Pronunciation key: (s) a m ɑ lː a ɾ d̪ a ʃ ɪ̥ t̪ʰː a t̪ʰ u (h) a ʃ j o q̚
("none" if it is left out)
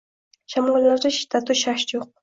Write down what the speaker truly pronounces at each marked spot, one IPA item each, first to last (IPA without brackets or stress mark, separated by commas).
ʃ, ʃ